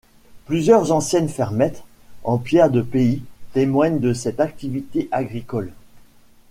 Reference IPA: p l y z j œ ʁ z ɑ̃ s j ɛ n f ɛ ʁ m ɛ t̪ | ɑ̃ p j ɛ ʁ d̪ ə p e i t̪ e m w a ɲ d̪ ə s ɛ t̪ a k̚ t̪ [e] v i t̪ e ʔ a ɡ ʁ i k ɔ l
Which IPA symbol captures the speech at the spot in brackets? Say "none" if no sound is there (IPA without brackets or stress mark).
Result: i